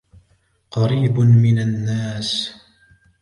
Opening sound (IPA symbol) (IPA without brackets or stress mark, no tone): q